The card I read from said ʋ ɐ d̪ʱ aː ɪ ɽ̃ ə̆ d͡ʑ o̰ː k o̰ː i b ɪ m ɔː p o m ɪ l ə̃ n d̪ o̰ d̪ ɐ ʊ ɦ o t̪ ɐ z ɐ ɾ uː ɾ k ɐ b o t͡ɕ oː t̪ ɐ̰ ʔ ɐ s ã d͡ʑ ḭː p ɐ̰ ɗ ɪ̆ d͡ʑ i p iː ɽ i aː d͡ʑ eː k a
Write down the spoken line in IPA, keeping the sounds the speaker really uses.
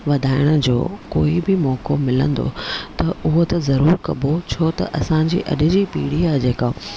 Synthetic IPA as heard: ʋ ɐ d̪ʱ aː ɪ ɽ̃ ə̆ d͡ʑ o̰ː k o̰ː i b ɪ m ɔː k o m ɪ l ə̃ n d̪ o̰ t̪ ɐ ʊ ɦ o t̪ ɐ z ɐ ɾ uː ɾ k ɐ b o t͡ɕʰ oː t̪ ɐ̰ ʔ ɐ s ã d͡ʑ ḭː ʔ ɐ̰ ɗ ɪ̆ d͡ʑ i p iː ɽ i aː d͡ʑ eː k a